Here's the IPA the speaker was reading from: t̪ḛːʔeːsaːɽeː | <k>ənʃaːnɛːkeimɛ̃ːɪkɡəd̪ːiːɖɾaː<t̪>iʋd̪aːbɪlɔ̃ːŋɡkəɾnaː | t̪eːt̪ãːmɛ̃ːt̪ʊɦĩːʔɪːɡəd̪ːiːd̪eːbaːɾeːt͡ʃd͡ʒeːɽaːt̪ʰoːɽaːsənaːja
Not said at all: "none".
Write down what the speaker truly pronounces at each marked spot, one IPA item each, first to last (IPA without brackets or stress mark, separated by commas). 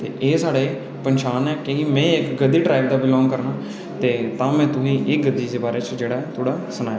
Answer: p, none